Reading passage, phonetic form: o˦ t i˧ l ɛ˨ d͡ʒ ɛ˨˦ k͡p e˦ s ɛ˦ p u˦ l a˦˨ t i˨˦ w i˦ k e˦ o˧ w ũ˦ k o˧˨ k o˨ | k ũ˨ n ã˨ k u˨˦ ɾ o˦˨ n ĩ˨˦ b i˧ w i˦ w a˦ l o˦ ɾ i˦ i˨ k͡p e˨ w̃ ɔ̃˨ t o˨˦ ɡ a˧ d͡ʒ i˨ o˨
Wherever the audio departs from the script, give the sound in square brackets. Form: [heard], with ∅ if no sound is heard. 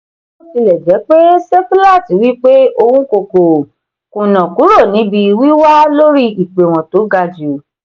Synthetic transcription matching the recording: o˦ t i˧ l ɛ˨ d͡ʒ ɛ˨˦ k͡p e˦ s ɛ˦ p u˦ l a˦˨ t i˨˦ w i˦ [k͡p] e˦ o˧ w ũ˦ k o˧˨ k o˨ | k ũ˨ n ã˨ k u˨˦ ɾ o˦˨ n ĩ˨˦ b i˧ w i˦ w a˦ l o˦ ɾ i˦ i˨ k͡p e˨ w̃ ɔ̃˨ t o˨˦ ɡ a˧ d͡ʒ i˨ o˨